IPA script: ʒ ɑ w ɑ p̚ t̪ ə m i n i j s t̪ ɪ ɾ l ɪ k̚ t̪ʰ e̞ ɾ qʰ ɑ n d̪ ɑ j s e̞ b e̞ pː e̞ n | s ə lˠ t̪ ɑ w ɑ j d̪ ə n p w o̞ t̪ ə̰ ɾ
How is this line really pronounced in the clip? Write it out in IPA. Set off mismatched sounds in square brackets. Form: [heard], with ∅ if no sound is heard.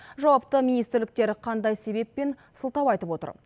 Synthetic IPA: ʒ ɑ w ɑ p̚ t̪ ə m i n i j s t̪ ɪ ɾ l ɪ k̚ [t̪] e̞ ɾ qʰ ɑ n d̪ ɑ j s e̞ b e̞ pː e̞ n | s ə lˠ t̪ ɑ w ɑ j [t̪] ə [∅] p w o̞ t̪ ə̰ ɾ